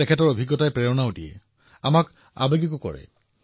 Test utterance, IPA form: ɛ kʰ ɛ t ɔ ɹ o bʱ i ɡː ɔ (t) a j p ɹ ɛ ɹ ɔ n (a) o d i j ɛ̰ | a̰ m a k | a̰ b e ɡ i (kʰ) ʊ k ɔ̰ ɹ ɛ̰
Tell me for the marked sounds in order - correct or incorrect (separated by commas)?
correct, correct, incorrect